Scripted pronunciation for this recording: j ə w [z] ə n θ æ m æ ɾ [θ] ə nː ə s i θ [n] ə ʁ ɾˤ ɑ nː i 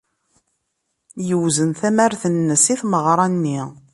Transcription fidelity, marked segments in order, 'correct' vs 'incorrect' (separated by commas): correct, correct, incorrect